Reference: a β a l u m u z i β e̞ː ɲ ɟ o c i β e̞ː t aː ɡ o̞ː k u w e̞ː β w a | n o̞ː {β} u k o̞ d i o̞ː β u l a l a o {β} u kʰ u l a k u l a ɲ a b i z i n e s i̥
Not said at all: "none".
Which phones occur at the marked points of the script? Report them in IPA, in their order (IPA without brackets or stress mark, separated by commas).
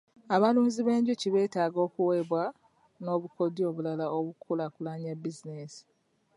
β, β